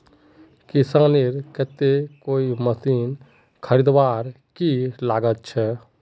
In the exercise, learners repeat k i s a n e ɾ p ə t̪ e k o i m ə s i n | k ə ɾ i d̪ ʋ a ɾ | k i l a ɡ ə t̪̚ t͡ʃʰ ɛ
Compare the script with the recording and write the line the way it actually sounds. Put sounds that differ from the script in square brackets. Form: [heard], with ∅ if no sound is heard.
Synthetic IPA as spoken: k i s a n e ɾ [k] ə t̪ e k o i m ə s i n | [kʰ] ə ɾ i d̪ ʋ a ɾ | k i l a ɡ ə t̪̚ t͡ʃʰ ɛ